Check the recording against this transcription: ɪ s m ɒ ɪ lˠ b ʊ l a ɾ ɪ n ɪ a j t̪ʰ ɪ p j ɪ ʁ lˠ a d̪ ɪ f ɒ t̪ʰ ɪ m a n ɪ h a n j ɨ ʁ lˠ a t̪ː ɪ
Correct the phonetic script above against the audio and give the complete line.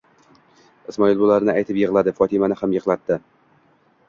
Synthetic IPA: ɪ s m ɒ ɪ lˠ b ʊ l a ɾ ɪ n ɪ a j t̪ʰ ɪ p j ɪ ʁ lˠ a d̪ ɪ f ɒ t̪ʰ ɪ m a n ɪ h a m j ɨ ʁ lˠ a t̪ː ɪ